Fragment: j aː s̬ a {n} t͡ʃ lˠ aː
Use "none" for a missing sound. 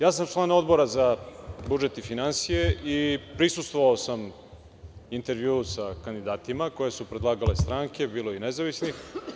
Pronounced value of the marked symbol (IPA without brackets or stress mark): m